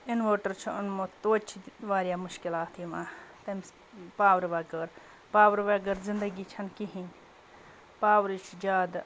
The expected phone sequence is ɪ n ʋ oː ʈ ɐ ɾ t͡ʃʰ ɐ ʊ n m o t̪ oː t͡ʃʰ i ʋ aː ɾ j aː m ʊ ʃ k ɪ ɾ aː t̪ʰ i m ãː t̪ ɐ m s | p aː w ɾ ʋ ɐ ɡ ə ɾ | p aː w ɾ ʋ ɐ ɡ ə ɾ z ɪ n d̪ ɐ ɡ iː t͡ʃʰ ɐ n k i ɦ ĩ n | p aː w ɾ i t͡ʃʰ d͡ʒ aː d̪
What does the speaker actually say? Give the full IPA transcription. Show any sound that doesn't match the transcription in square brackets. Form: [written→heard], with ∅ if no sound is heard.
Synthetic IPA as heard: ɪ n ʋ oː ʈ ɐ ɾ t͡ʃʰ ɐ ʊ n m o t̪ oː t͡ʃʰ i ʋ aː ɾ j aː m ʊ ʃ k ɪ [ɾ→l] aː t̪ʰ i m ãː t̪ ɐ m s | p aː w ɾ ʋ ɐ ɡ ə ɾ | p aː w ɾ ʋ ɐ ɡ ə ɾ z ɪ n d̪ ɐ ɡ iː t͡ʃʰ ɐ n k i ɦ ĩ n | p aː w ɾ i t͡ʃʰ d͡ʒ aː d̪